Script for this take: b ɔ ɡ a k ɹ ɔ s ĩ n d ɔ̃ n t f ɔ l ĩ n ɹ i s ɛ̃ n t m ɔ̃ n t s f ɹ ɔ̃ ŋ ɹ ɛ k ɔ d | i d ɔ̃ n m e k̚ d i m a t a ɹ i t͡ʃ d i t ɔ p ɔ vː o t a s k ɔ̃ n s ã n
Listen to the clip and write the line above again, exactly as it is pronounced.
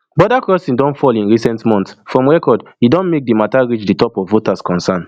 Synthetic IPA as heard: b ɔ d a k ɹ ɔ s ĩ n d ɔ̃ n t f ɔ l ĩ n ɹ i s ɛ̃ n t m ɔ̃ n t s f ɹ ɔ̃ m ɹ ɛ k ɔ d | i d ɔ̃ n m e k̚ d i m a t a ɹ i t͡ʃ d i t ɔ p ɔ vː o t a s k ɔ̃ n s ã n

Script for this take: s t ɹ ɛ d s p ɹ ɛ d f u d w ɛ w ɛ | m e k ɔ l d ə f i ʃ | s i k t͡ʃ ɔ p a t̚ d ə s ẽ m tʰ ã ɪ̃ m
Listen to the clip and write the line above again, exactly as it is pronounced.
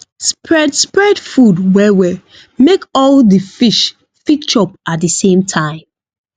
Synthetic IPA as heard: s p ɹ ɛ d s p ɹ ɛ d f u d w ɛ w ɛ | m e k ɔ l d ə f i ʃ | f i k t͡ʃ ɔ p a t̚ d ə s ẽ m tʰ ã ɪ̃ m

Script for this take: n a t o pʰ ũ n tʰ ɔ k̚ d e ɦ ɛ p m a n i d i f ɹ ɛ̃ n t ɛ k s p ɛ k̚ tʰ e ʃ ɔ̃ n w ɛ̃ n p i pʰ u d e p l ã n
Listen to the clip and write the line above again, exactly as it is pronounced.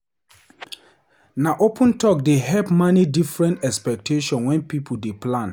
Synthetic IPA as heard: n a ʔ o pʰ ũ n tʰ ɔ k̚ d e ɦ ɛ p m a n i d i f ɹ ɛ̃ n t ɛ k s p ɛ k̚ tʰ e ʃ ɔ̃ n w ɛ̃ n p i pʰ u d e p l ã n

